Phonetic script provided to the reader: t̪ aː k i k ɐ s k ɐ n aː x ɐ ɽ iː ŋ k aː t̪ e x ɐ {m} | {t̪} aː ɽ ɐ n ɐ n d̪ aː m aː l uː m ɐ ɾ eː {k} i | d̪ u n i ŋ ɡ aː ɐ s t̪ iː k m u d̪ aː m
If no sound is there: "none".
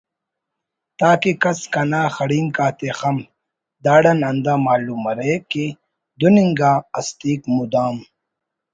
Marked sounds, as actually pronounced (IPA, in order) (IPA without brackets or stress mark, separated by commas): m, d̪, k